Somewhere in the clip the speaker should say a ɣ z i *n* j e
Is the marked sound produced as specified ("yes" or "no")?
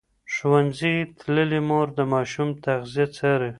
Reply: no